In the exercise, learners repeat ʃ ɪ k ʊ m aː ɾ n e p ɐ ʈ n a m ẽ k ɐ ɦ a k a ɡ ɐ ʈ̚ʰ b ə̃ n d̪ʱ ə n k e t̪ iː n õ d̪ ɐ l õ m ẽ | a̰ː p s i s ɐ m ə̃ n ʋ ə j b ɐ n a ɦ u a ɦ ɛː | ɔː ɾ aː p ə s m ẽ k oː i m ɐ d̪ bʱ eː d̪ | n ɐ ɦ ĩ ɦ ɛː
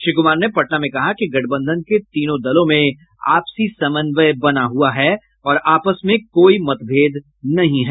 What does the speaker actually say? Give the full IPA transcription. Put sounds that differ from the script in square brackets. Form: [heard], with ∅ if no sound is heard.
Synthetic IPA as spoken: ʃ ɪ k ʊ m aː ɾ n e p ɐ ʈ n a m ẽ k ɐ ɦ a k [i] ɡ ɐ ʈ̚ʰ b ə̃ n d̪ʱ ə n k e t̪ iː n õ d̪ ɐ l õ m ẽ | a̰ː p s i s ɐ m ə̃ n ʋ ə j b ɐ n a ɦ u a ɦ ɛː | ɔː ɾ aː p ə s m ẽ k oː i m ɐ [t̪] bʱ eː d̪ | n ɐ ɦ ĩ ɦ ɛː